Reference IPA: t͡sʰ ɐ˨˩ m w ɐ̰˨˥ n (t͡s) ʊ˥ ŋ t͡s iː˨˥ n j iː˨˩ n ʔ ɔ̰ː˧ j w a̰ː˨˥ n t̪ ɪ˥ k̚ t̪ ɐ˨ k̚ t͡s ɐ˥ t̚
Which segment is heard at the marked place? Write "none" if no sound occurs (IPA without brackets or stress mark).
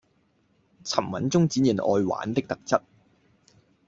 t͡s